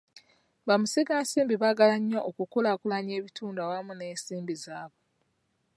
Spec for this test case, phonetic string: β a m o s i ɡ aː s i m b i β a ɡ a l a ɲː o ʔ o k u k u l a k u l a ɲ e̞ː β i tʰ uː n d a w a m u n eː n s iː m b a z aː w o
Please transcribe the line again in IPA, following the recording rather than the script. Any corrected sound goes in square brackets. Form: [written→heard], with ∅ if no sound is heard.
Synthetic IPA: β a m [o→u] s i ɡ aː s [i→iː] m b i β a ɡ a l a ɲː o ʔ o k u k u l a k u l a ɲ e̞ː β i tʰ uː n d a w a m u n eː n s iː m b [a→i] z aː [w→β] o